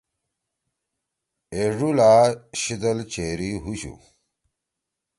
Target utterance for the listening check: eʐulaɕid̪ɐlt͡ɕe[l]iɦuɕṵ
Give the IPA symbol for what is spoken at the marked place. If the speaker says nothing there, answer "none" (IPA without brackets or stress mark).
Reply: ɾ